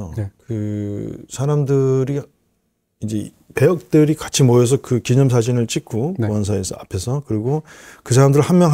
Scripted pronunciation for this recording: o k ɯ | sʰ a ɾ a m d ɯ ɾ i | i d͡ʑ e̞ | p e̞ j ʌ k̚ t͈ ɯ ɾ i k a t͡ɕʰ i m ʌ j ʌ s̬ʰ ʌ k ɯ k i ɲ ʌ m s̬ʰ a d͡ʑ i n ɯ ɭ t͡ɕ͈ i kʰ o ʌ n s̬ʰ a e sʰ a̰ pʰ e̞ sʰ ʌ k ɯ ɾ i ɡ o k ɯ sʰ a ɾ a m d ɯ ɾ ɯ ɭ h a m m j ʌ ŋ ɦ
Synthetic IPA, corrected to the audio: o k ɯ | sʰ a ɾ a m d ɯ ɾ i | i d͡ʑ e̞ | p e̞ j ʌ k̚ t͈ ɯ ɾ i k a t͡ɕʰ i m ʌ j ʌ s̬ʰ ʌ k ɯ k i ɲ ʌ m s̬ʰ a d͡ʑ i n ɯ ɭ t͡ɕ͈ i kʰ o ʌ n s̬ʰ a e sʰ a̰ pʰ e̞ sʰ ʌ k ɯ ɾ i ɡ o k ɯ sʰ a ɾ a m d ɯ ɾ ɯ ɭ h a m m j ʌ ŋ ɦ